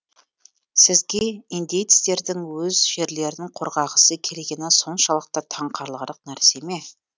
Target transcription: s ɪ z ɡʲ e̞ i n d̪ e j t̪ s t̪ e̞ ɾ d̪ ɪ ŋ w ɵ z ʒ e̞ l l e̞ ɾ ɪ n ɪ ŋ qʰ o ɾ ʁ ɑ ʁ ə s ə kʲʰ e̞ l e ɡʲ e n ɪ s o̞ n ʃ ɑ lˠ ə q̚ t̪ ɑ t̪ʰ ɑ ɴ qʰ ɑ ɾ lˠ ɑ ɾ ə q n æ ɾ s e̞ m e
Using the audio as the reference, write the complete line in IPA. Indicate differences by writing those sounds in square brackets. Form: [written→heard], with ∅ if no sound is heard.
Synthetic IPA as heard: s ɪ z ɡʲ e̞ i n d̪ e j t̪ s t̪ e̞ ɾ d̪ ɪ ŋ w ɵ z ʒ e̞ [l→ɾ] l e̞ ɾ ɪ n ɪ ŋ qʰ o ɾ ʁ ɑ ʁ ə s ə kʲʰ e̞ l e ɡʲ e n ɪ s o̞ n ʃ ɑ lˠ ə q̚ t̪ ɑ t̪ʰ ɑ ɴ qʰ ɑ ɾ lˠ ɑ ɾ ə q n æ ɾ s e̞ m e